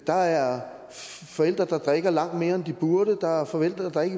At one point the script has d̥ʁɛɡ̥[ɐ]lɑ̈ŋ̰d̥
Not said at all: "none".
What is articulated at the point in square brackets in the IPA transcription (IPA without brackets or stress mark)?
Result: ɐ